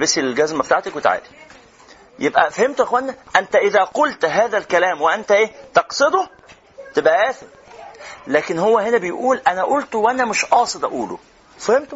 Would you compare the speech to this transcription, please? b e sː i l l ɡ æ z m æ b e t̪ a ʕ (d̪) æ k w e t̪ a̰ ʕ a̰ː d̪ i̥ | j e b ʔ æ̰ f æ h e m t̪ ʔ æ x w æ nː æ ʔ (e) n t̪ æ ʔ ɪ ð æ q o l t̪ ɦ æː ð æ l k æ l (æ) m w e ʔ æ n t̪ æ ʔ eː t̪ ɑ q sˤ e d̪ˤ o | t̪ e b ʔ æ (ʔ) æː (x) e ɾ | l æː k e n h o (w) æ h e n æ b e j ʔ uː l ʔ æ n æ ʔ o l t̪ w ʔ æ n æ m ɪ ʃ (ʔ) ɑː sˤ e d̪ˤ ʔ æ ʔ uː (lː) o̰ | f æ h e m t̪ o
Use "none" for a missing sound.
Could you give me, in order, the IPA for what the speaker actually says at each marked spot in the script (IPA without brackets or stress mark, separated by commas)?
t̪, æ, æː, ʔ, θ, wː, ʔ, l